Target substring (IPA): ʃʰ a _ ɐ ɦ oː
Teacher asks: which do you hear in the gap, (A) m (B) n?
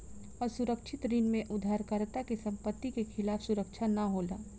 B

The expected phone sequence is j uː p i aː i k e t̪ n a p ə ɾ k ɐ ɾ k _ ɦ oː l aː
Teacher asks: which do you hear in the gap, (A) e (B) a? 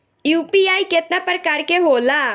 A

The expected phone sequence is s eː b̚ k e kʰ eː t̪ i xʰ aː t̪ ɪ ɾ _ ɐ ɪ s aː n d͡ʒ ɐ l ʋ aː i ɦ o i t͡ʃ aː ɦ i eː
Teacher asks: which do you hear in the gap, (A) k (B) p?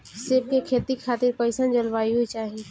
B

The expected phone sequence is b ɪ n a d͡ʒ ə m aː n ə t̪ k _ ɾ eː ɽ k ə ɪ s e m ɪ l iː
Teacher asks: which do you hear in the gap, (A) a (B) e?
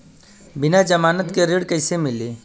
B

